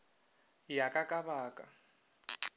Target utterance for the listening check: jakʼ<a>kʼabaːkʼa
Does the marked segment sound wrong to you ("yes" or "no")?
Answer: no